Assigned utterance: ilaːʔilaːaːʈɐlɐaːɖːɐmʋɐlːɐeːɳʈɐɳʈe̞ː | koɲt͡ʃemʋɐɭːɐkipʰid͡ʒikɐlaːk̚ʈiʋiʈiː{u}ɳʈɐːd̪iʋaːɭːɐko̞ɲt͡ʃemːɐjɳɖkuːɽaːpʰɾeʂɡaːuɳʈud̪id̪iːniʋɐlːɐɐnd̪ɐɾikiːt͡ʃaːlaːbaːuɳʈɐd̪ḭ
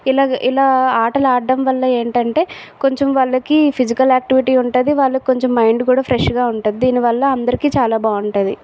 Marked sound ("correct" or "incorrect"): correct